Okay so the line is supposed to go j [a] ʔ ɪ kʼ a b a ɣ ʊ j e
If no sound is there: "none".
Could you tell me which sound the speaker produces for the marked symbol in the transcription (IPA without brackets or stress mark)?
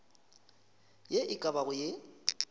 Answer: e